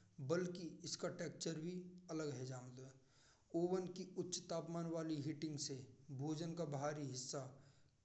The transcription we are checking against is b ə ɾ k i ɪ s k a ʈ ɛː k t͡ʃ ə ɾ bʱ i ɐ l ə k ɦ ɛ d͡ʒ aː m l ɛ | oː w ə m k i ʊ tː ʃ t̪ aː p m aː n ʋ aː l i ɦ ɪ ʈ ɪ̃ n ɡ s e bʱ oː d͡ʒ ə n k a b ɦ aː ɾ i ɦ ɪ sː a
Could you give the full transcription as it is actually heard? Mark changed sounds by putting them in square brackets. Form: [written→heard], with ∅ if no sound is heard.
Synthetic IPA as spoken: b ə [ɾ→l] k i ɪ s k a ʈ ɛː k t͡ʃ ə ɾ bʱ i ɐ l ə [k→ɡ] ɦ ɛ d͡ʒ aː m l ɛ | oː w ə [m→n] k i ʊ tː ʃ t̪ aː p m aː n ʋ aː l i ɦ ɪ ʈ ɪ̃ [n→ŋ] ɡ s e bʱ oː d͡ʒ ə n k a b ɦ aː ɾ i ɦ ɪ sː a